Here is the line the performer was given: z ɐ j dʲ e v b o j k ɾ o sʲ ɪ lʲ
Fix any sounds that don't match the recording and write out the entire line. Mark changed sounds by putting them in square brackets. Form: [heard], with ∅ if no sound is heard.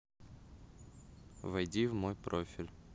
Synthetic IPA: [v] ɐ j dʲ [i] v [m] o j [p] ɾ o [fʲ] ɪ lʲ